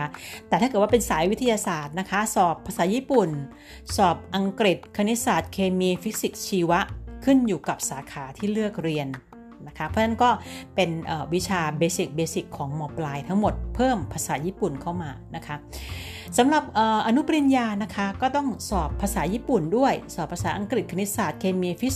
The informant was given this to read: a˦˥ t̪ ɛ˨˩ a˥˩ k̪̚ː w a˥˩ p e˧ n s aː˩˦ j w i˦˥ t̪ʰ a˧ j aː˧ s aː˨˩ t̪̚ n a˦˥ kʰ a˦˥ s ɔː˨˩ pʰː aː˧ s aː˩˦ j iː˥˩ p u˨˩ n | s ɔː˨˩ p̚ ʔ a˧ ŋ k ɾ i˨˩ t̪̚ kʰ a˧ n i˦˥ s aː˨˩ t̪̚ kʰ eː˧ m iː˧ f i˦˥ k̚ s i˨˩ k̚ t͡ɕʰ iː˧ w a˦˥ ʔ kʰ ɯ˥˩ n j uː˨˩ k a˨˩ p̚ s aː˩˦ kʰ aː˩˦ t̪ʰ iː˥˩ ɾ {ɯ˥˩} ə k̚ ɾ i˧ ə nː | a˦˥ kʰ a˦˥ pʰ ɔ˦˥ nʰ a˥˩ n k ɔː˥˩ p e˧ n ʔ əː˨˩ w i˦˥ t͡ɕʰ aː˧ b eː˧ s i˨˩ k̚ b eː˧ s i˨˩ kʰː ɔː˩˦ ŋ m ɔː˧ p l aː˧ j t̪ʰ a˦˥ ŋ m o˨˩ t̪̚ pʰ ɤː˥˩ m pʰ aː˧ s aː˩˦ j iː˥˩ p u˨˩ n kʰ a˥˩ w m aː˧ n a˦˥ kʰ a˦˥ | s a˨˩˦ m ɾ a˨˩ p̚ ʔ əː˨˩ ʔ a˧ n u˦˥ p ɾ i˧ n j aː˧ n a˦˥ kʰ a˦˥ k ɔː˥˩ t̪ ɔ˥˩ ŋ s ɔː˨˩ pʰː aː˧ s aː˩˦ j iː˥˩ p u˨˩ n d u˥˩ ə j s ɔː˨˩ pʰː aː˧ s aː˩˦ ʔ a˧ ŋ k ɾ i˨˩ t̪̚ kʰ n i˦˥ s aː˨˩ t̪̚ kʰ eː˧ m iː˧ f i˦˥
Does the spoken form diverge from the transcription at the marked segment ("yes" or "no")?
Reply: no